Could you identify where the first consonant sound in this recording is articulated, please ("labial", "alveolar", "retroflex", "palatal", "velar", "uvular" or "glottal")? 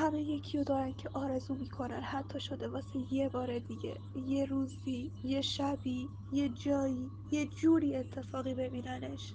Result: glottal